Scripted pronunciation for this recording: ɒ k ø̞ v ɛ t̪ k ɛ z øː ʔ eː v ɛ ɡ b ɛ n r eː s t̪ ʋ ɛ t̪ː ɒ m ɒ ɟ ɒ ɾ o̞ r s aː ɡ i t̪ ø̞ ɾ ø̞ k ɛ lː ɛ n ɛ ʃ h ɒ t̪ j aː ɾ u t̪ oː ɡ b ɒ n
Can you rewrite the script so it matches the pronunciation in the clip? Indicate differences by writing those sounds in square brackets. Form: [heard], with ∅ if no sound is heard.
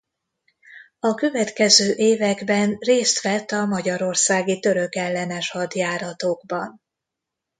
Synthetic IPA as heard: ɒ k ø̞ v ɛ t̪ k ɛ z øː ʔ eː v ɛ ɡ b ɛ n r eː s t̪ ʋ ɛ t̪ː ɒ m ɒ ɟ ɒ ɾ o̞ r s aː ɡ i t̪ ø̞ ɾ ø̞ k ɛ lː ɛ n ɛ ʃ h ɒ [d̪] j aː ɾ [ɒ] t̪ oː ɡ b ɒ n